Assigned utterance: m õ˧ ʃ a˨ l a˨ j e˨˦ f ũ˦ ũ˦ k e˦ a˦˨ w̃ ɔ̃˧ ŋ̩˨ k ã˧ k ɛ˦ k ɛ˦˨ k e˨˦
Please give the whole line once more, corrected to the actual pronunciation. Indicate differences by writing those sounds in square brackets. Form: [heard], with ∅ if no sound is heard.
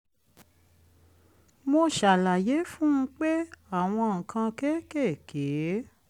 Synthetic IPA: m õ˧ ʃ a˨ l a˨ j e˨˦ f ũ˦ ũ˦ [k͡p] e˦ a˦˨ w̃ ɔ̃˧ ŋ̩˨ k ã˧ k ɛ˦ k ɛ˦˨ k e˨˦